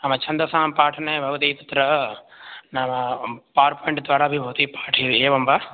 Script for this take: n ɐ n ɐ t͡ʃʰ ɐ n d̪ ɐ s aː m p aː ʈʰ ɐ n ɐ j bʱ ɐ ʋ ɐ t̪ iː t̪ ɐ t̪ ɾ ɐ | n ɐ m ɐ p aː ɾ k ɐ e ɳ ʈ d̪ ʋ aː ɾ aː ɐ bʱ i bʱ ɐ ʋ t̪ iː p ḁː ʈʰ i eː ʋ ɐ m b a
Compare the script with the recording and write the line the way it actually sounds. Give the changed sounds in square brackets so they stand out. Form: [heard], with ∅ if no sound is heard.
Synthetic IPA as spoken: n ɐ [m] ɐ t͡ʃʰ ɐ n d̪ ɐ s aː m p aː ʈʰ ɐ n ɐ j bʱ ɐ ʋ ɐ t̪ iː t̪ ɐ t̪ ɾ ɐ | n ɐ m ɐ p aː ɾ [p] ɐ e ɳ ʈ d̪ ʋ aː ɾ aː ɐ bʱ i bʱ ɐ ʋ t̪ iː p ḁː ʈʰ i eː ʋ ɐ m b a